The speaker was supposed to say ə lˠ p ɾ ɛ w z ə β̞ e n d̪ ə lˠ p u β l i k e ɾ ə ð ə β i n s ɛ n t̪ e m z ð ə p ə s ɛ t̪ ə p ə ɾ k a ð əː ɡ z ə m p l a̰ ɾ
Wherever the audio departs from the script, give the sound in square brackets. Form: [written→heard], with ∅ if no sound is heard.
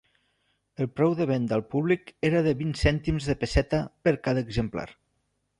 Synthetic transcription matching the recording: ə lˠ p ɾ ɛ w [z→ð] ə β̞ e n d̪ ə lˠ p u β l i k e ɾ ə ð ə β i n s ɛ n t̪ [e→i] m z ð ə p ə s ɛ t̪ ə p ə ɾ k a ð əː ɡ z ə m p l a̰ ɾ